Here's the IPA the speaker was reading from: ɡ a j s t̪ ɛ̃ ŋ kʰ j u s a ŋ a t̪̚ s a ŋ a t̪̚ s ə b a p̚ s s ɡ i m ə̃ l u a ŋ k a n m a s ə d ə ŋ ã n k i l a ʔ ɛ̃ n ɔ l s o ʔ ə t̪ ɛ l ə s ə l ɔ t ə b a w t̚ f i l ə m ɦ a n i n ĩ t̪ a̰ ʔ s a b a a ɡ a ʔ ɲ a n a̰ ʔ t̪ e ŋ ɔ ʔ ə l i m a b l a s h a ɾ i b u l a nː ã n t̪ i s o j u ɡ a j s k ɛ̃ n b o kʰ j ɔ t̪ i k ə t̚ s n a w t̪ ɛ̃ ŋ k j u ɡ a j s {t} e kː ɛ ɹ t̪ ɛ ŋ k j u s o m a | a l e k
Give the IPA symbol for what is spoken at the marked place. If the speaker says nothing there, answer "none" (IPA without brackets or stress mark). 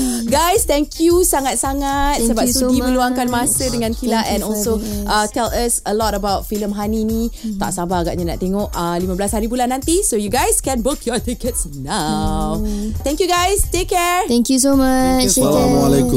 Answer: t